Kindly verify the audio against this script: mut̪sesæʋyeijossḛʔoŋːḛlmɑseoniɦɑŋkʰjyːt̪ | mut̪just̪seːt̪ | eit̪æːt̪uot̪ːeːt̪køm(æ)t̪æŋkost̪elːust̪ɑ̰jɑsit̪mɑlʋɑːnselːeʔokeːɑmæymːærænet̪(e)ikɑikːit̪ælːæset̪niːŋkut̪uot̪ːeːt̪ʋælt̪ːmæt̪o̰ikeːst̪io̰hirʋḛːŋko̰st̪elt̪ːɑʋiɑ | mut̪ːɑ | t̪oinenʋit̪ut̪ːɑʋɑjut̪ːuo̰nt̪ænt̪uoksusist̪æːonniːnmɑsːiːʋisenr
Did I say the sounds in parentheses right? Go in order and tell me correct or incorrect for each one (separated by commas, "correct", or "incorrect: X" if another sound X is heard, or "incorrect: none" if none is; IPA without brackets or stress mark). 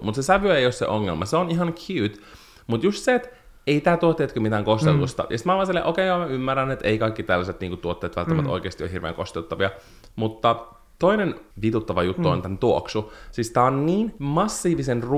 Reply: incorrect: i, correct